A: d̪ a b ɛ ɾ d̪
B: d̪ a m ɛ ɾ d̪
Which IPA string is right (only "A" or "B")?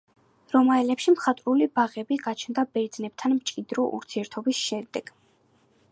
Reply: A